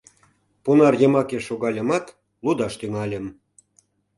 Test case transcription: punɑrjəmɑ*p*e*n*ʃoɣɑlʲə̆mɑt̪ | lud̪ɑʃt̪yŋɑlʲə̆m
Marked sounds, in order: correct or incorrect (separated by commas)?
incorrect, incorrect